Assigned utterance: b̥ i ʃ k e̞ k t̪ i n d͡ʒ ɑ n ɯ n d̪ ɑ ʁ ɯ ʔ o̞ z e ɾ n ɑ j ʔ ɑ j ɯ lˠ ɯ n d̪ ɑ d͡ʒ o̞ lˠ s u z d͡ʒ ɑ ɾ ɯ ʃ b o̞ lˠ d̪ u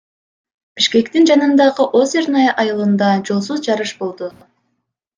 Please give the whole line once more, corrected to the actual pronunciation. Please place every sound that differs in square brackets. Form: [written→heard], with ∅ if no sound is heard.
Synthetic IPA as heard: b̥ i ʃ k e̞ k t̪ i n d͡ʒ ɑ n ɯ n d̪ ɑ ʁ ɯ ʔ o̞ z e ɾ n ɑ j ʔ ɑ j ɯ lˠ ɯ n d̪ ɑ d͡ʒ o̞ lˠ s u z d͡ʒ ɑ ɾ ɯ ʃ b o̞ lˠ d̪ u